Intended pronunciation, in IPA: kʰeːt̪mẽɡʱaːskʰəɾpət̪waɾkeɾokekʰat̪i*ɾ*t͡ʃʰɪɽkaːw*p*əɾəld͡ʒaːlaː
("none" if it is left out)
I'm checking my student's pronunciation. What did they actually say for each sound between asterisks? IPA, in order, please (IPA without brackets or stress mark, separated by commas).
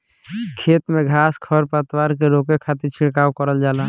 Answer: ɾ, k